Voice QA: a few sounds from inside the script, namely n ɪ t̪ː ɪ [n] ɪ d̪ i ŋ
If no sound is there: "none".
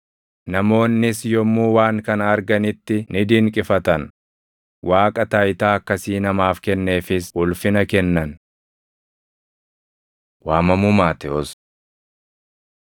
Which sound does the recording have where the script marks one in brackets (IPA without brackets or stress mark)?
n